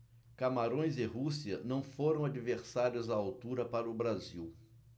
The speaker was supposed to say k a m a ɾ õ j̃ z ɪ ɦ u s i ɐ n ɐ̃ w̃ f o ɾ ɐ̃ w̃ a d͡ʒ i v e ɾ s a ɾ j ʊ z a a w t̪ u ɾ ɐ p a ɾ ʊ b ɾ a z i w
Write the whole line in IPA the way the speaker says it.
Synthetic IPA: k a m a ɾ õ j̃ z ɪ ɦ u s i ɐ n ɐ̃ w̃ f o ɾ ɐ̃ w̃ a d͡ʒ i v e ɾ s a ɾ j ʊ z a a w t̪ u ɾ ɐ p a ɾ ʊ b ɾ a z i w